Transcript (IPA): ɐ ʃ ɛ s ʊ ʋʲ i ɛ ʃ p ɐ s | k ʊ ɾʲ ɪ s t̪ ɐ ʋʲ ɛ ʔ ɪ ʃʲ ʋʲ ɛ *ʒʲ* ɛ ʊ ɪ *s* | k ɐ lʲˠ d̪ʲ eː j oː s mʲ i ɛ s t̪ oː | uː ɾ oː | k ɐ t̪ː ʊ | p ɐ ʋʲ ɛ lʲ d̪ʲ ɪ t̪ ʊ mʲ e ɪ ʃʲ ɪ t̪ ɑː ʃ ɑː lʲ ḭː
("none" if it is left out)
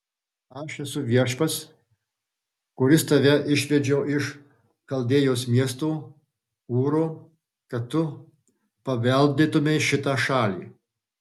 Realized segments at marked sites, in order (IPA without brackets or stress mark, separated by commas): d͡ʒʲ, ʃ